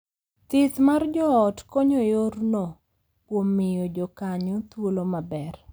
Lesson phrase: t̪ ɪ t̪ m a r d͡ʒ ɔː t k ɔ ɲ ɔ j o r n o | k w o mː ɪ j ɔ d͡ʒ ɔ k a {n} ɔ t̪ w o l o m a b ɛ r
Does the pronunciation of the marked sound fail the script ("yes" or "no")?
yes